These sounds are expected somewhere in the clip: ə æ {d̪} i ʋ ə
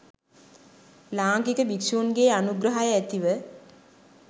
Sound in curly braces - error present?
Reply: yes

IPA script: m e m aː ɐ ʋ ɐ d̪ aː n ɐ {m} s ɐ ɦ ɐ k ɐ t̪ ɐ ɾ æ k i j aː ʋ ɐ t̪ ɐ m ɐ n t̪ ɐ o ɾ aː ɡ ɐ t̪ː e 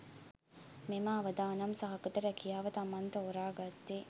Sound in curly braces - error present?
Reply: no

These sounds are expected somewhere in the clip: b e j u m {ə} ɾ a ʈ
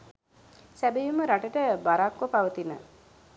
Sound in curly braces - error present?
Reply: no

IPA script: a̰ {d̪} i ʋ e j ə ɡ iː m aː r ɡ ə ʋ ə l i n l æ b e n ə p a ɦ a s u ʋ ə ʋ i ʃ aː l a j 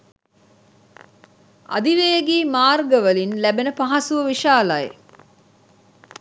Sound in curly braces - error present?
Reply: no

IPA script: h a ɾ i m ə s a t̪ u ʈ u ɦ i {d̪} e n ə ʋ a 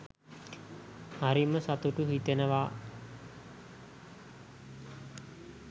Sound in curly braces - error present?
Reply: yes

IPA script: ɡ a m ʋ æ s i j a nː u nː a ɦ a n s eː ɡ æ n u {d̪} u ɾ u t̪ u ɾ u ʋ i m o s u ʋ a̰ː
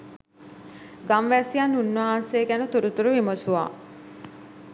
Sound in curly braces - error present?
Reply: yes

